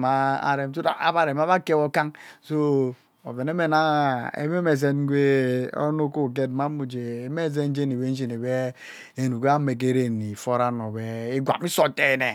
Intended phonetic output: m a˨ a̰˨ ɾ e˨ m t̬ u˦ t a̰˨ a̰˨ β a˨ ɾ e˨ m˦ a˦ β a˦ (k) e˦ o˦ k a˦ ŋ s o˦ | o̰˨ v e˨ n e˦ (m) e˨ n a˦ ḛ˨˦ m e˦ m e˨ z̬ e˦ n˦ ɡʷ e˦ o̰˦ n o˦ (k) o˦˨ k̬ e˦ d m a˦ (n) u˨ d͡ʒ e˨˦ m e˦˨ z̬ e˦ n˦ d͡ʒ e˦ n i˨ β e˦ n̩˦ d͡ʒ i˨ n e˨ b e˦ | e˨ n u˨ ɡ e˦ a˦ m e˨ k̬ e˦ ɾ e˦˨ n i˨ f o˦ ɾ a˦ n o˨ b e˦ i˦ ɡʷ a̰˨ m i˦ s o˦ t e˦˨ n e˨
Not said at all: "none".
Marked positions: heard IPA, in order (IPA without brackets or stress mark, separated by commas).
k, m, k, m